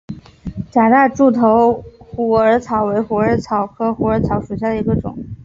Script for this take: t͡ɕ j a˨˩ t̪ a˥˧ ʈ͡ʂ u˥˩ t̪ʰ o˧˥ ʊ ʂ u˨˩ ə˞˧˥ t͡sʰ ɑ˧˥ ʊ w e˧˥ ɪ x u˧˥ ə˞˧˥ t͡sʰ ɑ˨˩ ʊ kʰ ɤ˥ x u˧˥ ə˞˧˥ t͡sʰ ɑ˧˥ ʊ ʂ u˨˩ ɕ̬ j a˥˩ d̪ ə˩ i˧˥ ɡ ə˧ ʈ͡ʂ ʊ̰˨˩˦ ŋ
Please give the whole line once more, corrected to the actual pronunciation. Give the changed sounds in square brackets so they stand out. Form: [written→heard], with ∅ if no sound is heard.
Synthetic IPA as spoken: t͡ɕ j a˨˩ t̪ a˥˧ ʈ͡ʂ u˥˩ t̪ʰ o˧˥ ʊ [ʂ→x] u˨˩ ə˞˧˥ t͡sʰ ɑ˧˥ ʊ w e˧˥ ɪ x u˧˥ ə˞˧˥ t͡sʰ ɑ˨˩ ʊ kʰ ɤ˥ x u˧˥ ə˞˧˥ t͡sʰ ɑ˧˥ ʊ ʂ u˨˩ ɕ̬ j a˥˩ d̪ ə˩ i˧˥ ɡ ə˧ ʈ͡ʂ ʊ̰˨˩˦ ŋ